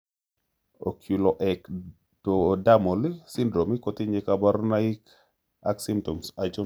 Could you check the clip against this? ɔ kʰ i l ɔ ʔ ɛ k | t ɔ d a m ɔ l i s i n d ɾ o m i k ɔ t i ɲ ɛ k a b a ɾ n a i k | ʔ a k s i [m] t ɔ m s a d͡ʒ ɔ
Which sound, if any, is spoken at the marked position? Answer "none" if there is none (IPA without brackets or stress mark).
m